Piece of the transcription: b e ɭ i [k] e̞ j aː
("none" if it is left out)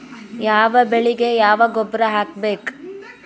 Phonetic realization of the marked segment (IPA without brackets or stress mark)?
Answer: ɡ